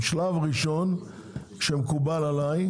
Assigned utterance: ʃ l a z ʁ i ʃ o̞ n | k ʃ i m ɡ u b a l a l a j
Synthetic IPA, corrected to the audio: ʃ l a v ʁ i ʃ o̞ n | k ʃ e m k u b a l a l a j